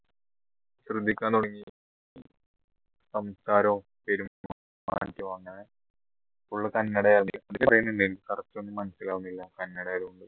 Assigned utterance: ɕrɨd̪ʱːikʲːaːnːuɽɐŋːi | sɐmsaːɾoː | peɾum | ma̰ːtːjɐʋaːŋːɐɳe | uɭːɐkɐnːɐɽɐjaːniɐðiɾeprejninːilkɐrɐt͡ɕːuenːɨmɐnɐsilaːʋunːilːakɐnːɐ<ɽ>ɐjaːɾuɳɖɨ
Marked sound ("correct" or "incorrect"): correct